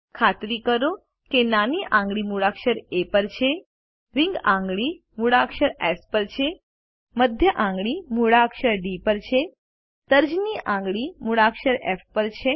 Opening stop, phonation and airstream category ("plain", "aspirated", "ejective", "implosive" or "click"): aspirated